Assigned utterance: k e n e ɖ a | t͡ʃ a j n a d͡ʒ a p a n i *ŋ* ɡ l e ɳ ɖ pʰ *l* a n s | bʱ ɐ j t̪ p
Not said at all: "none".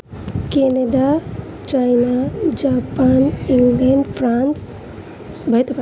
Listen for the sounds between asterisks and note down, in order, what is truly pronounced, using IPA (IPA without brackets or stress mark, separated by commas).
ŋ, ɾ